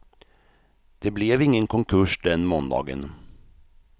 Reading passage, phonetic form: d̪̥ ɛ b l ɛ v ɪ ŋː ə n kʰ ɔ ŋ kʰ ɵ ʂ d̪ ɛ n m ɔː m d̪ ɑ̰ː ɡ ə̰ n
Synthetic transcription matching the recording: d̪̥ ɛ b l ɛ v ɪ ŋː ə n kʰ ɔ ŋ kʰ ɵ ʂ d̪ ɛ n m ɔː n d̪ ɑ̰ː ɡ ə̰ n